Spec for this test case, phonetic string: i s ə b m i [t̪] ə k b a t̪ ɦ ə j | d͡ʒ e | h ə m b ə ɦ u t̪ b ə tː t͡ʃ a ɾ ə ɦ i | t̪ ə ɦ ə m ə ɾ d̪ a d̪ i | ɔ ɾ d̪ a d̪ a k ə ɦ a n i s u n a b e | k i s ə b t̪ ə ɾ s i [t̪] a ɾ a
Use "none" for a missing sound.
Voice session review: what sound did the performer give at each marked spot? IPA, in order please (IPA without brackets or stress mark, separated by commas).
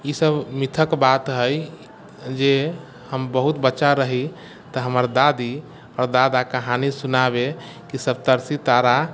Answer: t̪ʰ, t̪